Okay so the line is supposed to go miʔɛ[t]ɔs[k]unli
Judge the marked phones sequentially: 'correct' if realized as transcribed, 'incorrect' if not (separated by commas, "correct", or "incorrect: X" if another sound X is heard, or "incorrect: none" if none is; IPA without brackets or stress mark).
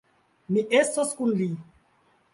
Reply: incorrect: s, correct